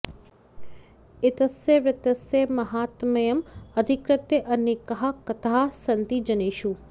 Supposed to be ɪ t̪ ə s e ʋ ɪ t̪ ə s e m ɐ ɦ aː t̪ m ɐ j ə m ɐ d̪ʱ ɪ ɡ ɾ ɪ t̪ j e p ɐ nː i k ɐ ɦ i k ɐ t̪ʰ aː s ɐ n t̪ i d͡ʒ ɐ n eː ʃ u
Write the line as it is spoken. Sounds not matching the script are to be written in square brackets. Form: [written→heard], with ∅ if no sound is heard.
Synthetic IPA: ɪ t̪ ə s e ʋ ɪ t̪ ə s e m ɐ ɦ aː t̪ m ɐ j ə m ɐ d̪ʱ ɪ [ɡ→k] ɾ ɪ t̪ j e [p→ʔ] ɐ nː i k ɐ ɦ [i→a] k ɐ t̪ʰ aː s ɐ n t̪ i d͡ʒ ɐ n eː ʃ u